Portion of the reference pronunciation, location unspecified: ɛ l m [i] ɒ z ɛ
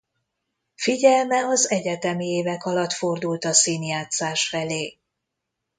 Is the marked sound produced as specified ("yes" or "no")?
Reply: no